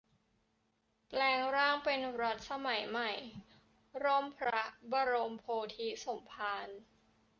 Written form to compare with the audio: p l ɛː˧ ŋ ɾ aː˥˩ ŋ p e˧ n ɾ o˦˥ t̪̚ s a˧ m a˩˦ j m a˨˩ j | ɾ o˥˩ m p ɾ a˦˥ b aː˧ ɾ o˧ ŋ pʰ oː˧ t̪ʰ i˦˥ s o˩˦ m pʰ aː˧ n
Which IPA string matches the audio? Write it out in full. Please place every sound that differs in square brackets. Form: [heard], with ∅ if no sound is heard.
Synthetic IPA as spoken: p l ɛː˧ ŋ ɾ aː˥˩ ŋ p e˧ n ɾ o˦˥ t̪̚ s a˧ m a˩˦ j m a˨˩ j | ɾ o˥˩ m [pʰ] ɾ a˦˥ b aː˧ ɾ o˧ [m] pʰ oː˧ t̪ʰ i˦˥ s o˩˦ m pʰ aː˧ n